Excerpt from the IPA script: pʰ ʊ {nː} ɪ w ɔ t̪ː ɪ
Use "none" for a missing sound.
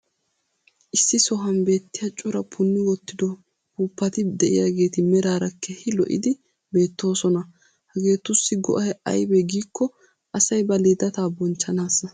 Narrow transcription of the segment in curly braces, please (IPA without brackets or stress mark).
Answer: nː